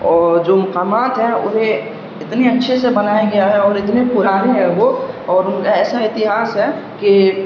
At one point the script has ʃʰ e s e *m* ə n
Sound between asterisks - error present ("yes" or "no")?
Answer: yes